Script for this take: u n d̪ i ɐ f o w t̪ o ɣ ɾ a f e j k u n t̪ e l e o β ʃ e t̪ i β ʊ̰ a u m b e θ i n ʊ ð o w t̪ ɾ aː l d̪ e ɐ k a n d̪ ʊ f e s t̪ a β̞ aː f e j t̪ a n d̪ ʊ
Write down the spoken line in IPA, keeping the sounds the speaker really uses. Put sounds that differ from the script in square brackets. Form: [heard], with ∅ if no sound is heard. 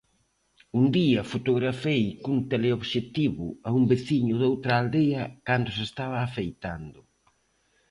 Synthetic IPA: u n d̪ i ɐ f o [∅] t̪ o ɣ ɾ a f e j k u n t̪ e l e o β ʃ e t̪ i β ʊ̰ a u m b e θ i [ɲ] ʊ ð o w t̪ ɾ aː l d̪ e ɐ k a n d̪ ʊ [s] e s t̪ a β̞ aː f e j t̪ a n d̪ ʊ